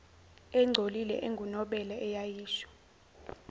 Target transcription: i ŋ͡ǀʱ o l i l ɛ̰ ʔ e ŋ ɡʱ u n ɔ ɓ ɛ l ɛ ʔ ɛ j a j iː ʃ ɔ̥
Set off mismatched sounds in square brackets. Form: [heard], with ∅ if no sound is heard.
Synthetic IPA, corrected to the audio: [ɛ] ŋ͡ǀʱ o l i l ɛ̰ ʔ e ŋ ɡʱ u n ɔ ɓ ɛ l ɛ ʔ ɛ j a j iː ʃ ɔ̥